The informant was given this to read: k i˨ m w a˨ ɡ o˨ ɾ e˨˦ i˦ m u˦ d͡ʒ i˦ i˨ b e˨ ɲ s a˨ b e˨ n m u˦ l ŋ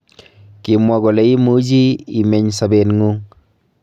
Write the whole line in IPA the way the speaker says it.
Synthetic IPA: k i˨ m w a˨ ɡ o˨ l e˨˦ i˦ m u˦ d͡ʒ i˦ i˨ m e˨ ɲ s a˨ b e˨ n ŋ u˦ ŋ